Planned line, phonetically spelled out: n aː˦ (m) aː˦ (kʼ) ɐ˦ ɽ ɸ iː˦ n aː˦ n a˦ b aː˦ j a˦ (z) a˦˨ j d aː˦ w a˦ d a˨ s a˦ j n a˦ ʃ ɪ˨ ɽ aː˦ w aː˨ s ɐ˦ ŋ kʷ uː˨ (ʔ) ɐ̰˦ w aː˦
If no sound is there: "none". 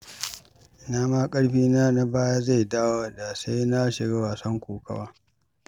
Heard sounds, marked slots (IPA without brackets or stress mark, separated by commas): m, kʼ, z, k